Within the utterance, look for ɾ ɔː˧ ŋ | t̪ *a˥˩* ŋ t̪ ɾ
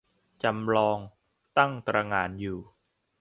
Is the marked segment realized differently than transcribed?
no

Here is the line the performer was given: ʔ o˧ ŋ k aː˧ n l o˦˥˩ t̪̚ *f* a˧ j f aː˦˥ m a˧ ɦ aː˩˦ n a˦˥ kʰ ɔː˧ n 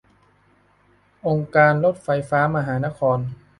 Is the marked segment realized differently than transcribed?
no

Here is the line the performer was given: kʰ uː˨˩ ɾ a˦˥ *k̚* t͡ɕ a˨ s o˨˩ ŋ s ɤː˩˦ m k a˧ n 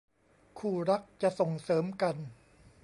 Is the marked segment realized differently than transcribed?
no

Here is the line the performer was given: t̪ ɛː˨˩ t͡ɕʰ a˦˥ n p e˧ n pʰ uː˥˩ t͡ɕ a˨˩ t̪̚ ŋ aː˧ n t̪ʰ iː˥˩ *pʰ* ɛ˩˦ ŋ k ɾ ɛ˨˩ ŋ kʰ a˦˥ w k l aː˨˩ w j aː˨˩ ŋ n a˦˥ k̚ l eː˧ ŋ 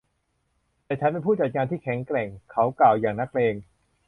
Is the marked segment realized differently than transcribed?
yes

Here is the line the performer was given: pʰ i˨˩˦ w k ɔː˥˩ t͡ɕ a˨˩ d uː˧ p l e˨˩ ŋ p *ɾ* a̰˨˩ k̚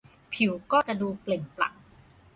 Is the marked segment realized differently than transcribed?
yes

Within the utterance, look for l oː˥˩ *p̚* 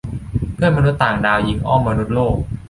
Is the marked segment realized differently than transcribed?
yes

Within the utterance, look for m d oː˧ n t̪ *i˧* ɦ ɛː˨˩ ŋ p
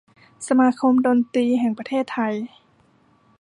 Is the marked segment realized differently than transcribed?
yes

